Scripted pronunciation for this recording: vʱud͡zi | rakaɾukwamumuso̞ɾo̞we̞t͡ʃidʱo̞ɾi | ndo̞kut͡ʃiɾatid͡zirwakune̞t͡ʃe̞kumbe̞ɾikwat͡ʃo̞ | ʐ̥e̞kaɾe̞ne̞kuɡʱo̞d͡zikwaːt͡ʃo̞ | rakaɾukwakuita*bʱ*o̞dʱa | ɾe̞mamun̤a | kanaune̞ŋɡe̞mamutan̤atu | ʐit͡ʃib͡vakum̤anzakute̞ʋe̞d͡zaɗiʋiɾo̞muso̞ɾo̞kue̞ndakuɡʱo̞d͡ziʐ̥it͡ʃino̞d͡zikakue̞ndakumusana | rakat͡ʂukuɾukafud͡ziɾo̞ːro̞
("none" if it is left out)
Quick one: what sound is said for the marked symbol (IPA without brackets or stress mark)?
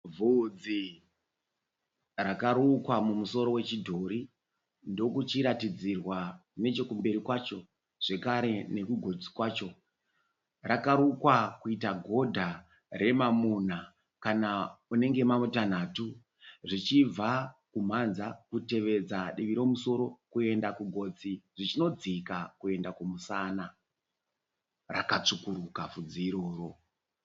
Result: ɡʱ